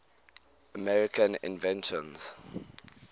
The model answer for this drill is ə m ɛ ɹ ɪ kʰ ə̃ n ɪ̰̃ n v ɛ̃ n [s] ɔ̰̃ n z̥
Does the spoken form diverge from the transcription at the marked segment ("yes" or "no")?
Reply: yes